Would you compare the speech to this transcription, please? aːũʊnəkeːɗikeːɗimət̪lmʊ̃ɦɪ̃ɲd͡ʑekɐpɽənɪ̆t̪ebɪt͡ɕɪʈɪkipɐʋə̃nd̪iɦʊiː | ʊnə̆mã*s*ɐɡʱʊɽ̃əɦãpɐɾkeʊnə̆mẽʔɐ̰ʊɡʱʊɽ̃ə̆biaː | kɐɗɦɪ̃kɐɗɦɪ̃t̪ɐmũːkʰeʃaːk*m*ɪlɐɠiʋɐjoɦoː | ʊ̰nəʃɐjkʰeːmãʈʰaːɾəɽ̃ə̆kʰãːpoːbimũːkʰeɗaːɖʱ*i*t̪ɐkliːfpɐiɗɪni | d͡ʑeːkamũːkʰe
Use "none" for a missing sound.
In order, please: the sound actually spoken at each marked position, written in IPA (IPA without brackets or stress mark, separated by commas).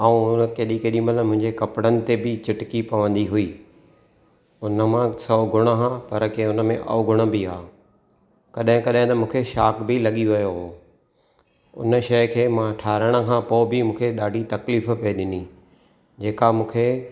s, b, i